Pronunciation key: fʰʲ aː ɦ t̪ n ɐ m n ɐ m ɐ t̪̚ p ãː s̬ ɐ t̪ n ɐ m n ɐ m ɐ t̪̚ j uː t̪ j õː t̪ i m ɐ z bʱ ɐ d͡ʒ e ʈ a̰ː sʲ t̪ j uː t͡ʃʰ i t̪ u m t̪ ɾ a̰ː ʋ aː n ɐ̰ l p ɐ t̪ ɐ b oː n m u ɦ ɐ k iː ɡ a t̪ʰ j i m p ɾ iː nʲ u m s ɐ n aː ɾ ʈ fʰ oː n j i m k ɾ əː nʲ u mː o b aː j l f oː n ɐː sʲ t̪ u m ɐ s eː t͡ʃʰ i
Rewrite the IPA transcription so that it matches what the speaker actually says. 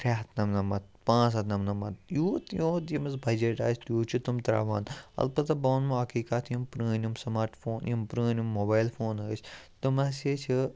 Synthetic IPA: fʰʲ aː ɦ t̪ n ɐ m n ɐ m ɐ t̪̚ p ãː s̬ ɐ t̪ n ɐ m n ɐ m ɐ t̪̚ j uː t̪ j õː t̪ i m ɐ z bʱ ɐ d͡ʒ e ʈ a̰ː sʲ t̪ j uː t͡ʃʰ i t̪ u m t̪ ɾ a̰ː ʋ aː n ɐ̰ l p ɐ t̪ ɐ b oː n m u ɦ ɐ k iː k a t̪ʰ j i m p ɾ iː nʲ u m s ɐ m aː ɾ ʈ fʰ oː n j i m p ɾ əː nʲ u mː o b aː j l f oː n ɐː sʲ t̪ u m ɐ s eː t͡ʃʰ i

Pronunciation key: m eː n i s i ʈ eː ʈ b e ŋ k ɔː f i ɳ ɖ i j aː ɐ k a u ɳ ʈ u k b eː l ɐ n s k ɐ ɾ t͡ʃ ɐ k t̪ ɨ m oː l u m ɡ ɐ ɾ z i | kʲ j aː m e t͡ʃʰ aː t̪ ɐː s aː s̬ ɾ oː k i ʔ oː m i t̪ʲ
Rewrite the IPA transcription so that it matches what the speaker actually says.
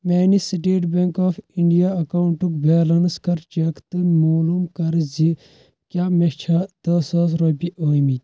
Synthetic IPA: m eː n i s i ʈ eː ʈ b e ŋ k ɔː f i ɳ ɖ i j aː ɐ k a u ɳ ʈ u k b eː l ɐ n s k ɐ ɾ t͡ʃ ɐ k t̪ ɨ m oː l u m k ɐ ɾ z i | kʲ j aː m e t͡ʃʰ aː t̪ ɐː s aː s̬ ɾ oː p i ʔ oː m i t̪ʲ

